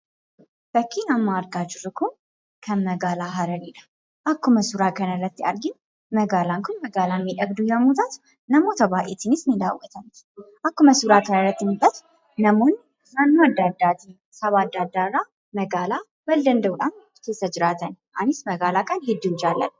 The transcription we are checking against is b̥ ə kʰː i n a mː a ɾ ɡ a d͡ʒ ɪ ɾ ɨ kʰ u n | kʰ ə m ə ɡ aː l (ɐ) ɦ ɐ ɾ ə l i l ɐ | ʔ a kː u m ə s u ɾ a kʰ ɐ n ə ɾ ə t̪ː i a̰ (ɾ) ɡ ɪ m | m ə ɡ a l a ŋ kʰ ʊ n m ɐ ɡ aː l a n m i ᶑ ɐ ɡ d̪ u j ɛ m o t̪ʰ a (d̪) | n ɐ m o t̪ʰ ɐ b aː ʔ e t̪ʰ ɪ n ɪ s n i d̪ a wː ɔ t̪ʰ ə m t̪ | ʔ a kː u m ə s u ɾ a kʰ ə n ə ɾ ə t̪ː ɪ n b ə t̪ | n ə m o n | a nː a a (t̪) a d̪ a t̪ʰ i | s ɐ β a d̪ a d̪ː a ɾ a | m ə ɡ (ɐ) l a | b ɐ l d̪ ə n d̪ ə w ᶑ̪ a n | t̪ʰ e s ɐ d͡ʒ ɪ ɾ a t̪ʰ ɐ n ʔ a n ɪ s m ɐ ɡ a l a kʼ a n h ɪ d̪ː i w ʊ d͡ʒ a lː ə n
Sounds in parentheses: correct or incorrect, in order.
incorrect, correct, incorrect, incorrect, incorrect

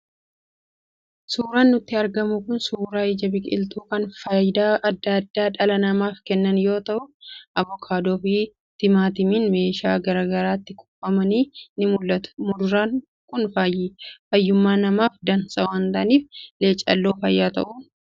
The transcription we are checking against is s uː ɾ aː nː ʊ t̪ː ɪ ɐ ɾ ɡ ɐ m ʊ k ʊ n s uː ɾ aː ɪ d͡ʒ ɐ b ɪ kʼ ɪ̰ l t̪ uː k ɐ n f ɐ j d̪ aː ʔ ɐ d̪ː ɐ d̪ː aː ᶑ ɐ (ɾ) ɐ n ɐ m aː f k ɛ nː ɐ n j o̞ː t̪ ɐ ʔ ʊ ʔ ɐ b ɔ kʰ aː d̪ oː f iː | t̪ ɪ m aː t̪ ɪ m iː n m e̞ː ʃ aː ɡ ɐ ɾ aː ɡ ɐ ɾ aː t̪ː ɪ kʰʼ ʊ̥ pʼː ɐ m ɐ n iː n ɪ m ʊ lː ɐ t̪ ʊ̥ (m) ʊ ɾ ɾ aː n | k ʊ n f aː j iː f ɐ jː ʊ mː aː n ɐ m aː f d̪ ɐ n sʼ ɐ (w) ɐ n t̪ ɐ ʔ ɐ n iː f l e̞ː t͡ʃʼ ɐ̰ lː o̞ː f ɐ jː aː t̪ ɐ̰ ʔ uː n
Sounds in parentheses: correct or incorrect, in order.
incorrect, correct, correct

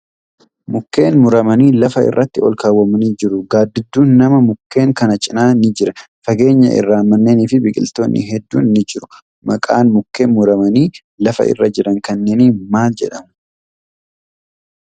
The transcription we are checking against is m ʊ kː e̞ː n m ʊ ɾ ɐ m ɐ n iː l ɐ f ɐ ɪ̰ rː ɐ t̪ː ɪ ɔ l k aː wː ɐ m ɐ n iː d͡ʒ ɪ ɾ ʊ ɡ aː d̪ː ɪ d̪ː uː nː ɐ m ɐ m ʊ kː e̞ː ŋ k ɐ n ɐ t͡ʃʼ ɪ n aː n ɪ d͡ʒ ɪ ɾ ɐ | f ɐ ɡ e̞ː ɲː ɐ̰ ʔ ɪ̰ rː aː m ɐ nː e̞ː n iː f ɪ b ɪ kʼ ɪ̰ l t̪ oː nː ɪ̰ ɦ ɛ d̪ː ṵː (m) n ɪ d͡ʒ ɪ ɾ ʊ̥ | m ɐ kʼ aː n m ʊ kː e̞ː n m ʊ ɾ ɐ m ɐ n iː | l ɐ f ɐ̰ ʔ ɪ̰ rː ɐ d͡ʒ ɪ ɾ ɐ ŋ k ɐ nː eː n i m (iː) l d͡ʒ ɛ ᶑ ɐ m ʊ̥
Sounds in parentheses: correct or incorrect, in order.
incorrect, incorrect

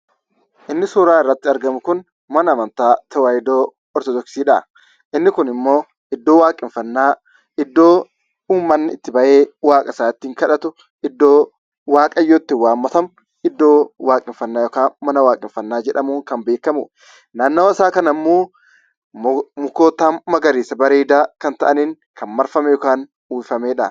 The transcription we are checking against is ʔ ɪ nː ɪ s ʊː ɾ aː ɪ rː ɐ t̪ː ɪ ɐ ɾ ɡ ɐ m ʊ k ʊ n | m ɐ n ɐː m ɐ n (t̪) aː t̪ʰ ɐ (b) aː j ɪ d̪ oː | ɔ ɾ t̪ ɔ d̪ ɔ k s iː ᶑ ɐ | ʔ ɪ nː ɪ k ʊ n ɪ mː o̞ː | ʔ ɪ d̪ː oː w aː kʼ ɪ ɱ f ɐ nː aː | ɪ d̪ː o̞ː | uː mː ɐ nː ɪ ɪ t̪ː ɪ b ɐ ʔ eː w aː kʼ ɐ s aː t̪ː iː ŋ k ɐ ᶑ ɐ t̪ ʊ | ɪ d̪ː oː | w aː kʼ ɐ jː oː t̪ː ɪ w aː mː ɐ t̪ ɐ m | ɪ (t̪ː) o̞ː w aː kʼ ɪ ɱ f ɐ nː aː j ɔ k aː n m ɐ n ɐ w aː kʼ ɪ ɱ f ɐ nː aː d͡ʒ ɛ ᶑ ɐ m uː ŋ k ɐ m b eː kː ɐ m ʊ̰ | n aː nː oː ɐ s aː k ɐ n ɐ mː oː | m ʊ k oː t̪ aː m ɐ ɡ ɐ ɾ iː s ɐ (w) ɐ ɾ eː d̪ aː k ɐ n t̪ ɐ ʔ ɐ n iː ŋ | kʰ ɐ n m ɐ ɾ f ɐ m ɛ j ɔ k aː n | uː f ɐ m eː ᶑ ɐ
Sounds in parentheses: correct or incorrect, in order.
correct, incorrect, incorrect, incorrect

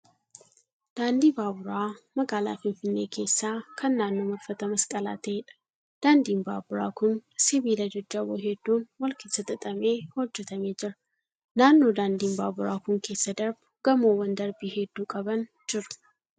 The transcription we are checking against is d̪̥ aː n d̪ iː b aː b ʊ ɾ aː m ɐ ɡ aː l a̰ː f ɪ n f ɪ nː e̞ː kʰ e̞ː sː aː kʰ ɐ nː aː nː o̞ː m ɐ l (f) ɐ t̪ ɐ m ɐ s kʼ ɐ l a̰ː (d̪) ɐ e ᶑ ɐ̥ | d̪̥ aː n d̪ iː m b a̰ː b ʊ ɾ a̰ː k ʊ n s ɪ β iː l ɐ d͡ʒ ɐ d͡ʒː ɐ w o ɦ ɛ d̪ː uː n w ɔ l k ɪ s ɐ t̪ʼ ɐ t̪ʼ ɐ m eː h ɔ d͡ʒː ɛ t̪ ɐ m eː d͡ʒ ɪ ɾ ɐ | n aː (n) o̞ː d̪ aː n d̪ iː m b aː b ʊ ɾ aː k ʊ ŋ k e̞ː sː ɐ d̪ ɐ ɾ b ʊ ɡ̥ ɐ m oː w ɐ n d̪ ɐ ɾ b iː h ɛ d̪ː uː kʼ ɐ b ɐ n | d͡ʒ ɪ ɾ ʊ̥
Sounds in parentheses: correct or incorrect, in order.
correct, incorrect, incorrect

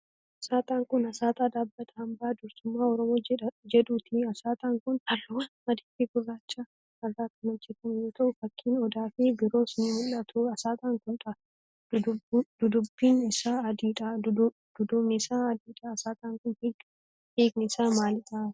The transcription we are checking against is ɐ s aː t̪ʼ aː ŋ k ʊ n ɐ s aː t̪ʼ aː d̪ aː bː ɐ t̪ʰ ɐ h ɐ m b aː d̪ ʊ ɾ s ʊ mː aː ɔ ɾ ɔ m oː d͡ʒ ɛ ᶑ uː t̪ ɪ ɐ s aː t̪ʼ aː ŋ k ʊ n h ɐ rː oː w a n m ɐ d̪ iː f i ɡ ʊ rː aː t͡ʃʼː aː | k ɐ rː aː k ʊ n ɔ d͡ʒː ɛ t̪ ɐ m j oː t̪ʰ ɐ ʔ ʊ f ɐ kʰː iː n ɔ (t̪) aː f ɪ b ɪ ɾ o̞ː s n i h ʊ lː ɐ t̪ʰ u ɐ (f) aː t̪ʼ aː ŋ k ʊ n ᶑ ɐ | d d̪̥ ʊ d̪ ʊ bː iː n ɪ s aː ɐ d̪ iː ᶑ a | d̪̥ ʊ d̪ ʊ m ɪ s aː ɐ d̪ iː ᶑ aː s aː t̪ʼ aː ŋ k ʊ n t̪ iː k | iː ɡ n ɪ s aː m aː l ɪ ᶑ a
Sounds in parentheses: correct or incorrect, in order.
incorrect, incorrect

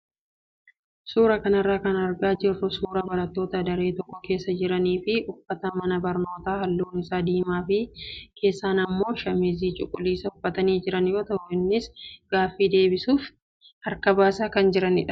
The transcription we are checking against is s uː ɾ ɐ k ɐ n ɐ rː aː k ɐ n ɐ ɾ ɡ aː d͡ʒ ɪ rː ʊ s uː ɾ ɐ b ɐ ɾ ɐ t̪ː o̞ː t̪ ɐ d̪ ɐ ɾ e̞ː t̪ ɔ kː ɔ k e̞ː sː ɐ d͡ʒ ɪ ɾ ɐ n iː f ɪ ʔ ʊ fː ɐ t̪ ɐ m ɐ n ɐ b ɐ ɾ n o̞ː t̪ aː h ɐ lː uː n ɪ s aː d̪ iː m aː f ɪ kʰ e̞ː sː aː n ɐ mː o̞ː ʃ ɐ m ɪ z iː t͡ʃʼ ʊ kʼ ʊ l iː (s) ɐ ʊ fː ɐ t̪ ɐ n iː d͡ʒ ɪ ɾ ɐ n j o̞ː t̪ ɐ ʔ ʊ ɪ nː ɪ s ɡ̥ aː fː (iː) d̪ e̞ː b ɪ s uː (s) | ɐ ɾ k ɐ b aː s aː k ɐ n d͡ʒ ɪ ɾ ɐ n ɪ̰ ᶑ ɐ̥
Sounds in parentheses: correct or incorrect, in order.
correct, correct, incorrect

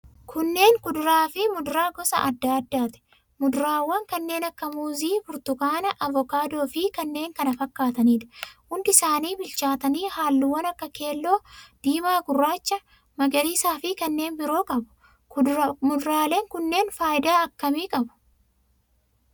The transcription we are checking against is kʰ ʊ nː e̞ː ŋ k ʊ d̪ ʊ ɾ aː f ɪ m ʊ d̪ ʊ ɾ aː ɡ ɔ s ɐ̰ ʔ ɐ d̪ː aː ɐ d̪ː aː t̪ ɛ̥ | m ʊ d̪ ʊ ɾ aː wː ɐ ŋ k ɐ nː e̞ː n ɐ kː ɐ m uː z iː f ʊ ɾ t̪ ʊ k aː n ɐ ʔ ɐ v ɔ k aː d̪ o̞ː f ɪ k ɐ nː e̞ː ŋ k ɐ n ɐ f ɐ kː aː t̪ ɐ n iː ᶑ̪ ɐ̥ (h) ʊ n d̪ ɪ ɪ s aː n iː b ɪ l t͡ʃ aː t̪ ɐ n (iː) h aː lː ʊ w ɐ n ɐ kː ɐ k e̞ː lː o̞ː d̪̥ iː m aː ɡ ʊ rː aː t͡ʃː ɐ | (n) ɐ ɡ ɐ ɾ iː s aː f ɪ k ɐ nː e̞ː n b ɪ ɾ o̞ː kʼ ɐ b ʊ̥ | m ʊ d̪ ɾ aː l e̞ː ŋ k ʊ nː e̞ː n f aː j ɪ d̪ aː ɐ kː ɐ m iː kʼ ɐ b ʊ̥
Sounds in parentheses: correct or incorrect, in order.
correct, correct, incorrect

